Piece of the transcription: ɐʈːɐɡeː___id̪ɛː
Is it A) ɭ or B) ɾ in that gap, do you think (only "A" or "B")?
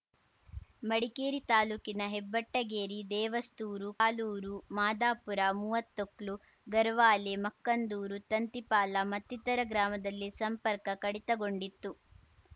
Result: B